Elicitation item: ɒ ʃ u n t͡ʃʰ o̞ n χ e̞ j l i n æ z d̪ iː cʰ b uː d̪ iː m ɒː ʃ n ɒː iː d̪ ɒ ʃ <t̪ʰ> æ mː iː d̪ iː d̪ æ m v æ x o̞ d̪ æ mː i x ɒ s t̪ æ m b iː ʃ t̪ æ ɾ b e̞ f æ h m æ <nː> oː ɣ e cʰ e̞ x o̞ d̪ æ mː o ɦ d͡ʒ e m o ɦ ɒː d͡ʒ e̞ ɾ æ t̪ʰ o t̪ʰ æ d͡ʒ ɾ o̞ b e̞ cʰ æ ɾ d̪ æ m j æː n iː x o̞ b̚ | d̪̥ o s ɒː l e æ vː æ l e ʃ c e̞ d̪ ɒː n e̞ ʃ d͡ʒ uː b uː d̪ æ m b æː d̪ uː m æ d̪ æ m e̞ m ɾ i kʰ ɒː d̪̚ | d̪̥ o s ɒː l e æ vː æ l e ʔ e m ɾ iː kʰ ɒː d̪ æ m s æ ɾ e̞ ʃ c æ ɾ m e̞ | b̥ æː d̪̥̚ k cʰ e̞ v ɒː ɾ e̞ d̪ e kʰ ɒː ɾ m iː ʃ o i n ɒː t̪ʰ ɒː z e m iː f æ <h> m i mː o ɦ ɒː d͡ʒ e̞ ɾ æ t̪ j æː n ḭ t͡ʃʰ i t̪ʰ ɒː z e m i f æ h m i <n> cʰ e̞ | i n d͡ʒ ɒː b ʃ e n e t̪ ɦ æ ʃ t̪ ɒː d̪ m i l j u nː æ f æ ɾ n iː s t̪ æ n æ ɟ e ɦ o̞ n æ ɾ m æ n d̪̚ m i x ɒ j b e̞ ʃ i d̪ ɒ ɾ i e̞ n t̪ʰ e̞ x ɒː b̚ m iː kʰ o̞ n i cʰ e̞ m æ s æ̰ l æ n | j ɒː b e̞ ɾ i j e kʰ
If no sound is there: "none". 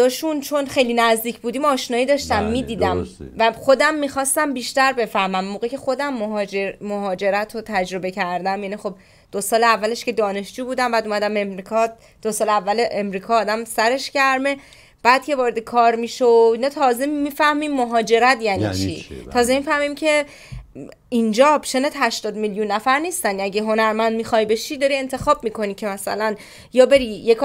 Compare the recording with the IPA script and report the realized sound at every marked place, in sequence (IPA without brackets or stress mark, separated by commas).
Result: t̪, mː, h, m